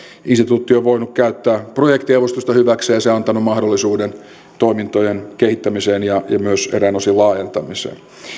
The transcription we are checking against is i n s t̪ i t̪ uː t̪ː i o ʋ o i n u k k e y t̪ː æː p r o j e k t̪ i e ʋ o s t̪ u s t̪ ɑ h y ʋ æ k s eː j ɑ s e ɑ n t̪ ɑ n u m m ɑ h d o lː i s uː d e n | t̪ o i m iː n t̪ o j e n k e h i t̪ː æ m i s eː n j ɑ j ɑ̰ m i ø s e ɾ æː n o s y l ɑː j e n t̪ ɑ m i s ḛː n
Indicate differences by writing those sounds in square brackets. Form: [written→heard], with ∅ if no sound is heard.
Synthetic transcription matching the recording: i n s t̪ i t̪ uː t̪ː i o ʋ o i n u k k [e→æ] y t̪ː æː p r o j e k t̪ i e ʋ o s t̪ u s t̪ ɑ h y ʋ æ k s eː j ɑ s e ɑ n t̪ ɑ n u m m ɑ h d o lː i s uː d e n | t̪ o i m [iː→i] n t̪ o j e n k e h i t̪ː æ m i s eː n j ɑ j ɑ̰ m [i→y] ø s e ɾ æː n o s [y→i] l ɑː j e n t̪ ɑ m i s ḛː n